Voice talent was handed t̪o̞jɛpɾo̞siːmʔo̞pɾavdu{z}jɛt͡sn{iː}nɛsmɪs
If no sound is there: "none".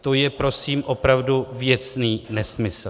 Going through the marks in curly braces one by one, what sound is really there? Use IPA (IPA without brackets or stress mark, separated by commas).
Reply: v, iː